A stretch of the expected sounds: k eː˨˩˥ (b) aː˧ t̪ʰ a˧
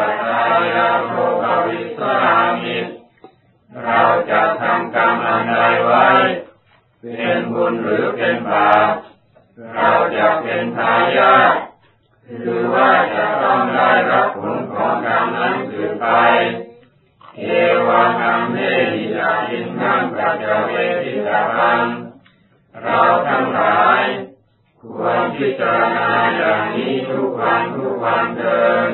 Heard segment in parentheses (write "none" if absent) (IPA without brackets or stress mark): w